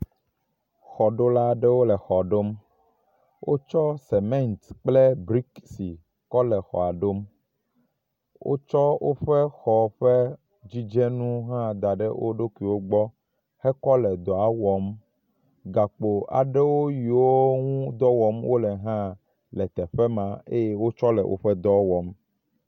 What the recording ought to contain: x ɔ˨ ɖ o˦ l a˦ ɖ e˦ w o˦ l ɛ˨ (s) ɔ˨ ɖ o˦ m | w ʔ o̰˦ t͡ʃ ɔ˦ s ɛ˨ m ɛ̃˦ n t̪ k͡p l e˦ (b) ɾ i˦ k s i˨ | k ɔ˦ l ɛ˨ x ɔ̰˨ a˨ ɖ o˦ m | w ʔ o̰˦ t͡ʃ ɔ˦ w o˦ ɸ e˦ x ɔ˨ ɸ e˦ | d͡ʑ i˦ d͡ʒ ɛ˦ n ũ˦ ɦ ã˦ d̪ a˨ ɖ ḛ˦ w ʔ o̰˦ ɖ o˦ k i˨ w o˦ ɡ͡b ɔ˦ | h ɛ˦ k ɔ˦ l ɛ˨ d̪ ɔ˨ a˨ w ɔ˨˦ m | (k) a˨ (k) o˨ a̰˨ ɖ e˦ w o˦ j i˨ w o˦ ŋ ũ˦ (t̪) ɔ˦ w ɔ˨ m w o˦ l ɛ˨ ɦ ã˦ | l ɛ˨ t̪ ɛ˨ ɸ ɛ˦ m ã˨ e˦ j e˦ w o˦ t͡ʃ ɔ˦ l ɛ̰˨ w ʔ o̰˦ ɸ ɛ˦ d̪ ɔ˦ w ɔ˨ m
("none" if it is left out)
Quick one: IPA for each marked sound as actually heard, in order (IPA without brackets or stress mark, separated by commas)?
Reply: x, b, ɡ, k͡p, d̪